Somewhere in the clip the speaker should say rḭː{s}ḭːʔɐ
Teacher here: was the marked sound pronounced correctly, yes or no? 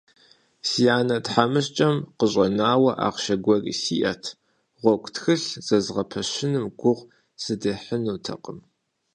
yes